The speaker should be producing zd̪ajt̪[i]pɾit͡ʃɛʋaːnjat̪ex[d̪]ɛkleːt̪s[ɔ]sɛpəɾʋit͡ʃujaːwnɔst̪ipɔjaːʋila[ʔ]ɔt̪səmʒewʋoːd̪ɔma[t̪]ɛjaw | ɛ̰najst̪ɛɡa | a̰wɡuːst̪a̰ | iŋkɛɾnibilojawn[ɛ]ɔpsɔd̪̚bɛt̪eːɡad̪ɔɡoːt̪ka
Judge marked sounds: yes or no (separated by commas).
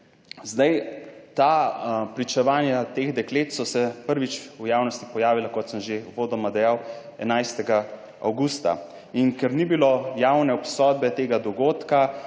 no, yes, yes, no, no, yes